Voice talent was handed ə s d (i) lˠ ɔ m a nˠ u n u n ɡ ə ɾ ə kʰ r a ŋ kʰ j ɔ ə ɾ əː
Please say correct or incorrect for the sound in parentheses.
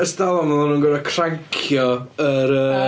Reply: incorrect